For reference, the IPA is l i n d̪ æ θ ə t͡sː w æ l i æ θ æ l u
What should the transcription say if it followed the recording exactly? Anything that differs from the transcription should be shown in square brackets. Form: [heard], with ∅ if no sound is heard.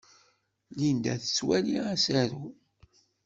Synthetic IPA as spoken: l i n d̪ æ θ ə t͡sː w æ l i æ [s] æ [ɾ] u